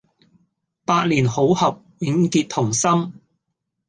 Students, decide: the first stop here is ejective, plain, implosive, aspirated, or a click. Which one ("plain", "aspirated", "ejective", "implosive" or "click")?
plain